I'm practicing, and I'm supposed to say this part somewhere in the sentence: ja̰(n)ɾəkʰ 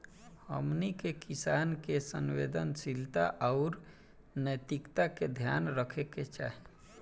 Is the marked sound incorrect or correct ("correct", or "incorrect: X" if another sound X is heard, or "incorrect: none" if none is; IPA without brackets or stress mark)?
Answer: correct